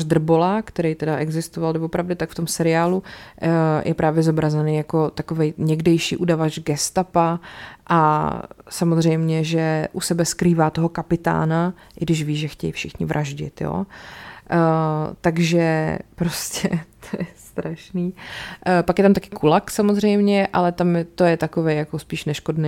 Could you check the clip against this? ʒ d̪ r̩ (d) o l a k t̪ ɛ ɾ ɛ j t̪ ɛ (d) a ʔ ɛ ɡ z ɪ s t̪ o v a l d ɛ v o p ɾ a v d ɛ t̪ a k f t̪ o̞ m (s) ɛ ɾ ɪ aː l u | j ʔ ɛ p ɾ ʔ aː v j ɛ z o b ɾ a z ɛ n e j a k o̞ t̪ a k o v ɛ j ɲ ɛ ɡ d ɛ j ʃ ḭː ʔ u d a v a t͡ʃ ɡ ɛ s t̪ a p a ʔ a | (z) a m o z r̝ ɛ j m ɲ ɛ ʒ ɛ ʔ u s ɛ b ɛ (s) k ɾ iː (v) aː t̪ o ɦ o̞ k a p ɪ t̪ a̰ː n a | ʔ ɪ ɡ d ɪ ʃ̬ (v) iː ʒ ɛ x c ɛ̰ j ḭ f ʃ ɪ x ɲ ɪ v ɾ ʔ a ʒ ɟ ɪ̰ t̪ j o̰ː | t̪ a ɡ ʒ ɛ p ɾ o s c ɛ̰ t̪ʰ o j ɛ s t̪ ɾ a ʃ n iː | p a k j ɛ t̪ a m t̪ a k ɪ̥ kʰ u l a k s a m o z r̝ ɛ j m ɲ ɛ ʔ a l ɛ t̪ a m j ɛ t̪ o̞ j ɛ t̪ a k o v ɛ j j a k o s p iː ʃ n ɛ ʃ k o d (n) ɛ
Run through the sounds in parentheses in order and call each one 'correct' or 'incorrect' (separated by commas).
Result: incorrect, correct, correct, incorrect, correct, correct, correct, correct